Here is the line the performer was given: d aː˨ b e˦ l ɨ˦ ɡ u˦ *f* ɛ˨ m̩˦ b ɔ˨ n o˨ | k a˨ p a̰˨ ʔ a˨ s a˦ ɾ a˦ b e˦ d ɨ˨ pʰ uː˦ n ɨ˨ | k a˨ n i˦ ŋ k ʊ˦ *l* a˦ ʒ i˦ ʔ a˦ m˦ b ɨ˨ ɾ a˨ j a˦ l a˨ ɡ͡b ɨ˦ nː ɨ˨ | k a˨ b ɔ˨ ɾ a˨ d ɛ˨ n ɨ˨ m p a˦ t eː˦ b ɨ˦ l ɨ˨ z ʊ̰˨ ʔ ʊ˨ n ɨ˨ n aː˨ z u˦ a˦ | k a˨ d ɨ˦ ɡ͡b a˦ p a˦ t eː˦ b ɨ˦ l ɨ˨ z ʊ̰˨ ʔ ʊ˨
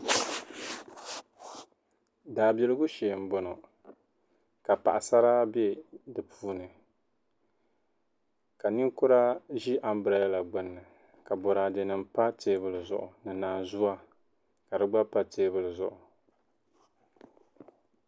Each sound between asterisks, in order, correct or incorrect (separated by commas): incorrect, incorrect